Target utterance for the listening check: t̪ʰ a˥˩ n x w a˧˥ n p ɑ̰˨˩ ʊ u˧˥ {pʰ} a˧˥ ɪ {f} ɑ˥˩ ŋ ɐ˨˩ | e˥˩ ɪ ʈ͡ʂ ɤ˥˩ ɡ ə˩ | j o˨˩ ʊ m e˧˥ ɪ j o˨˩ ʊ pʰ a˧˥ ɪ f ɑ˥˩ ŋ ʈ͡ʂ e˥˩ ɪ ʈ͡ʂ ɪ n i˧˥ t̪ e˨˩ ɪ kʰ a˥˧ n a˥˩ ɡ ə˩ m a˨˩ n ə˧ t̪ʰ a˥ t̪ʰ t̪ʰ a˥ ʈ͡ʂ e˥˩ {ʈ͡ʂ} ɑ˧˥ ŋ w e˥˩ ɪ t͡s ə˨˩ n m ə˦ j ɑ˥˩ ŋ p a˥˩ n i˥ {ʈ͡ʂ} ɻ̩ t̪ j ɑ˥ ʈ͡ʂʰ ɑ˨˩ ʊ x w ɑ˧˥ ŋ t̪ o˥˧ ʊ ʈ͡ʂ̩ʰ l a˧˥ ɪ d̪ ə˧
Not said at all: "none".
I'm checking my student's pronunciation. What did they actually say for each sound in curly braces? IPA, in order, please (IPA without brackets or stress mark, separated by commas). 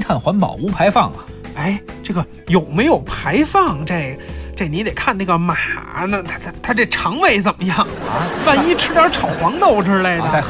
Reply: pʰ, f, ʈ͡ʂʰ, ʈ͡ʂʰ